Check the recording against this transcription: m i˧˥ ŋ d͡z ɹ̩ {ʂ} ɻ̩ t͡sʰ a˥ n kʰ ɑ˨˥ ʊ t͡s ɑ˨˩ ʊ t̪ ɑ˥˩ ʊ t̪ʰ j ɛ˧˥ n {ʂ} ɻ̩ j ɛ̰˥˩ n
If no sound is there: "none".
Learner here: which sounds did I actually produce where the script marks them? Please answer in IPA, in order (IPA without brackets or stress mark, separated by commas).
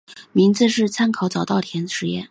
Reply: ʂ, ʂ